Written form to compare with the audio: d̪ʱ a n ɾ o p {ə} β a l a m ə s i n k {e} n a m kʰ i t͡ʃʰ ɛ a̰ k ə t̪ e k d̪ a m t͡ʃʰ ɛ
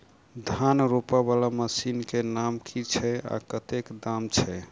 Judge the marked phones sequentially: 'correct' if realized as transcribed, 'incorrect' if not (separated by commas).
incorrect, correct